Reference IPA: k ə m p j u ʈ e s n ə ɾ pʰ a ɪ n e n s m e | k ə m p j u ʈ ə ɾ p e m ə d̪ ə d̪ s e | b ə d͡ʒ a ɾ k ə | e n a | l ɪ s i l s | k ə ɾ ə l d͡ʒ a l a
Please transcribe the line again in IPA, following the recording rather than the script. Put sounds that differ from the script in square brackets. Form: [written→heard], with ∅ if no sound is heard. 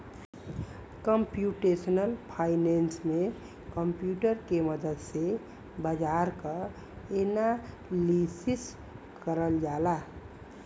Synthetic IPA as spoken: k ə m p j u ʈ e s n ə [ɾ→l] pʰ a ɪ n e n s m e | k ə m p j u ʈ ə ɾ [p→k] e m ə d̪ ə d̪ s e | b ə d͡ʒ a ɾ k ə | e n a | l [ɪ→i] s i [l→∅] s | k ə ɾ ə l d͡ʒ a l a